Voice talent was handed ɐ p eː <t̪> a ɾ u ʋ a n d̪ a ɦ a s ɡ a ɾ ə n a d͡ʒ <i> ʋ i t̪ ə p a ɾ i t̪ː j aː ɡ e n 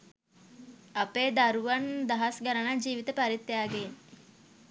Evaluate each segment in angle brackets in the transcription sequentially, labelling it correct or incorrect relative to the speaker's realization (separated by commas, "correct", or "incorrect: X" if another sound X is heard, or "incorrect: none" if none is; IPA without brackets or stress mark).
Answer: incorrect: d̪, incorrect: iː